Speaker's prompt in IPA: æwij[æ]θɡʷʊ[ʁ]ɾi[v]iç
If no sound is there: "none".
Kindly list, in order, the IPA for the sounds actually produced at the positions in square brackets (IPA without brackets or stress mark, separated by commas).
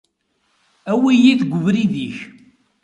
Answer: i, v, ð